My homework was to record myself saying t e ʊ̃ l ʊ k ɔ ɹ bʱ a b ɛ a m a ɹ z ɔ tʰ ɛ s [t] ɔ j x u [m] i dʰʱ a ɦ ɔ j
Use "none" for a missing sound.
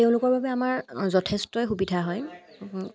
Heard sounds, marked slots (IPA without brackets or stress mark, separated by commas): t, b